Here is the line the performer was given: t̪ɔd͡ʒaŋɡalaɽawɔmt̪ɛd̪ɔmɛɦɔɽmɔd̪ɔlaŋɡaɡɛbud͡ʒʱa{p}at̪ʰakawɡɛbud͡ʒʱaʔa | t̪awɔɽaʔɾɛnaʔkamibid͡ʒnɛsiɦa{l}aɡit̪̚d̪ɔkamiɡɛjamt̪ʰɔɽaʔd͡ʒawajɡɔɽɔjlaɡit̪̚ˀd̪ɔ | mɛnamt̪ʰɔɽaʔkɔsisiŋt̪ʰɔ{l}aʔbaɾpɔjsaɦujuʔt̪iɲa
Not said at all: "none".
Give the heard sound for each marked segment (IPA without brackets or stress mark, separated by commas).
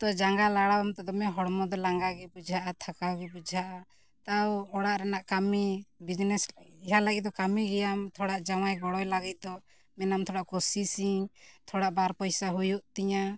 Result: ʔ, l, ɽ